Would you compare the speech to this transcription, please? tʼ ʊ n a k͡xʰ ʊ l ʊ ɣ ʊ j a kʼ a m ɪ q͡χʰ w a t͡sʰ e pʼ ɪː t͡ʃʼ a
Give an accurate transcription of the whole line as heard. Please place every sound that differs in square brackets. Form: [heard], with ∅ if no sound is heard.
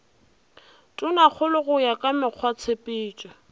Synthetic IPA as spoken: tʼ ʊ n a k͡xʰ ʊ l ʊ ɣ ʊ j a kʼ a m ɪ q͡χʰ w a t͡sʰ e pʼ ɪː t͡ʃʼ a